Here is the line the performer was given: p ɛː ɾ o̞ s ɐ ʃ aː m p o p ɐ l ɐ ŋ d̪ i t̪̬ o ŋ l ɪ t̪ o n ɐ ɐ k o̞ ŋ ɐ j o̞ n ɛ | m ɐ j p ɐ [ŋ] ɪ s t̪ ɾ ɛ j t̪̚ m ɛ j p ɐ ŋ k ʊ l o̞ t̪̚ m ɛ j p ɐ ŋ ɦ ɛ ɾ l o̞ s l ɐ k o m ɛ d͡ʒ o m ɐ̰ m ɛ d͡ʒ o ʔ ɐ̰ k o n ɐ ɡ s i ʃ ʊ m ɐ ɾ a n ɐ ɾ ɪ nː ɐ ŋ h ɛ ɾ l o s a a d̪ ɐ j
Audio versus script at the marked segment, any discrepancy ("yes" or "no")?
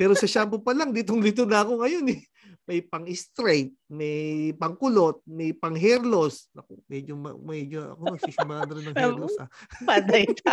no